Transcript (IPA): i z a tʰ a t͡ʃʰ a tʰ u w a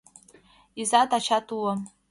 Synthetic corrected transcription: i z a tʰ a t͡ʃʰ a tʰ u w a